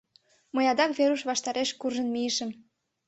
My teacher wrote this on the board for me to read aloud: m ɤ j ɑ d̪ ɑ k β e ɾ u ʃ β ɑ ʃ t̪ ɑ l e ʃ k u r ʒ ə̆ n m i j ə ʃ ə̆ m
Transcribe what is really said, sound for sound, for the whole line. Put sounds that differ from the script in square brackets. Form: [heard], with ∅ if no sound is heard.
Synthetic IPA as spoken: m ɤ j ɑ d̪ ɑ k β e ɾ u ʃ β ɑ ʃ t̪ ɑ [ɾ] e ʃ k u r ʒ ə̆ n m i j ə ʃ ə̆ m